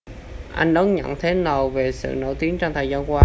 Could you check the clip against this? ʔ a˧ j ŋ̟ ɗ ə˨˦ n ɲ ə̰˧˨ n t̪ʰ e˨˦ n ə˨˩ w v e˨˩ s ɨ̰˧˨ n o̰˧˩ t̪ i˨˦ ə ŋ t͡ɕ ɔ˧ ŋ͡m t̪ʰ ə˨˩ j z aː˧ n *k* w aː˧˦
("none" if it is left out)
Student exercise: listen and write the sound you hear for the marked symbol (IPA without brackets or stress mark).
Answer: k